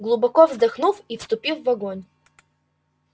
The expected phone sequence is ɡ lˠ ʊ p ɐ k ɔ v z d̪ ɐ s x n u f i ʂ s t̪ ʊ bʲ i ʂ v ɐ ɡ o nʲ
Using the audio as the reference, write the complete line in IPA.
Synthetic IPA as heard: ɡ lˠ ʊ b ɐ k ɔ v z d̪ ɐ x n u f i f s t̪ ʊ pʲ i f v ɐ ɡ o nʲ